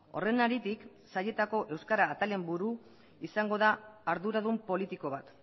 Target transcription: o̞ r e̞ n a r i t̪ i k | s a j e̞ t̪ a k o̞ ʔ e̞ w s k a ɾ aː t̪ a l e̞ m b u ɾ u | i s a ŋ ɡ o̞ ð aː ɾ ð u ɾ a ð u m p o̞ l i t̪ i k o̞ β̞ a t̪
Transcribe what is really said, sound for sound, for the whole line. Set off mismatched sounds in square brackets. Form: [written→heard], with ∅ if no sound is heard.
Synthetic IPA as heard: o̞ r e̞ n a [r→ɾ] i t̪ i k | s a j e̞ t̪ a k o̞ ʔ e̞ w s k a ɾ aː t̪ a l e̞ m b u ɾ u | i s a ŋ ɡ o̞ ð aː ɾ ð u ɾ a ð u m p o̞ l i t̪ i k o̞ β̞ a t̪